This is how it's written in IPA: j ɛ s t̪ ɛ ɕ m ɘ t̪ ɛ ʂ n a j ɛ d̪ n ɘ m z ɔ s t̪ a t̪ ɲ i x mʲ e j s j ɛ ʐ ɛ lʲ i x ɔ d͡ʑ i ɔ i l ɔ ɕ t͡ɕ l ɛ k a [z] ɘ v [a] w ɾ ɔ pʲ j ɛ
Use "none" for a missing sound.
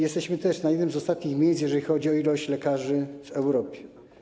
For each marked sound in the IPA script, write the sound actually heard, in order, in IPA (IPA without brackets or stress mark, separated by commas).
ʐ, ɛ